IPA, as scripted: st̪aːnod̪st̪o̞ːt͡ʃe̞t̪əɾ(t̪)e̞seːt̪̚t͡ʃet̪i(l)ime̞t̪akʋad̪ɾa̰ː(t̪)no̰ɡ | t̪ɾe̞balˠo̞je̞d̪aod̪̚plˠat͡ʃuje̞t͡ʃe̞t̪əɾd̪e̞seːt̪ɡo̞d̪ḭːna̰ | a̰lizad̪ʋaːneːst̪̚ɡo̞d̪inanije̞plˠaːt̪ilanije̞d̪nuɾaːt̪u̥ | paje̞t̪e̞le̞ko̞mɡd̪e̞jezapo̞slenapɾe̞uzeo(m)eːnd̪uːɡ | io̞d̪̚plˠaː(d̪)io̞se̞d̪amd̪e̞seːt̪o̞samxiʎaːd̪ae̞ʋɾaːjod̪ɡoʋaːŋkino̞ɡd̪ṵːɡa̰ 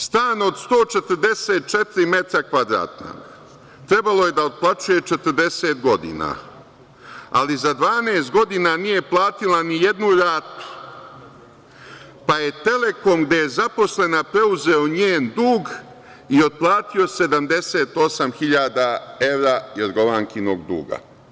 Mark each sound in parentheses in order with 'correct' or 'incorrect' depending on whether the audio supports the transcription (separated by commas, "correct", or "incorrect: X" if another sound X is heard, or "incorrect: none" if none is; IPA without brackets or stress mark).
incorrect: d̪, incorrect: ɾ, correct, incorrect: ɲ, incorrect: t̪